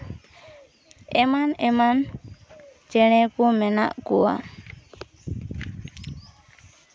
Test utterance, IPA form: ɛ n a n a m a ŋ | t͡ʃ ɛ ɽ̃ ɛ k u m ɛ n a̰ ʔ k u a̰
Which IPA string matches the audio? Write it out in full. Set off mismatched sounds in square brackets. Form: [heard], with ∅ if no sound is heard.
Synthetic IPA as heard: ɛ [m] a n [ɛ] m a [n] | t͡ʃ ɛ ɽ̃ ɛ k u m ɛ n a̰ ʔ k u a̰